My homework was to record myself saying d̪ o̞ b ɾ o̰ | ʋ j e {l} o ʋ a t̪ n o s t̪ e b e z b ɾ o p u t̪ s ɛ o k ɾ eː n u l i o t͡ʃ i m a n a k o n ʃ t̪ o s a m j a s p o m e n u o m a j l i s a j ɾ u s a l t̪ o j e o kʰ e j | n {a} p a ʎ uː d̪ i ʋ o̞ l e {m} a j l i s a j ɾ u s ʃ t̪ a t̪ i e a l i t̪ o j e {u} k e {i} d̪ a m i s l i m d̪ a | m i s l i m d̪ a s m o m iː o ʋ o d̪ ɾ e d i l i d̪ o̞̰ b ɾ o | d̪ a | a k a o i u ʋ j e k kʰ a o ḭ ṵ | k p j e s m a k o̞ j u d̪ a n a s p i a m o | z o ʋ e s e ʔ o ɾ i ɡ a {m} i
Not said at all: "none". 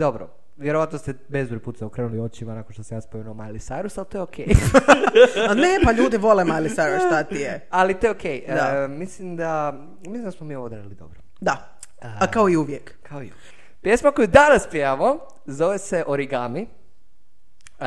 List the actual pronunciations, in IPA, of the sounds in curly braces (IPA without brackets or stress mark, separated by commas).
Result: ɾ, e, m, o, j, m